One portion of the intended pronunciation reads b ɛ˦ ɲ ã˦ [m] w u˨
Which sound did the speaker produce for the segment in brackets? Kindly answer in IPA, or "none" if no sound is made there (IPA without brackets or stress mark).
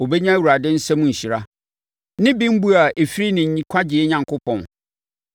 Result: none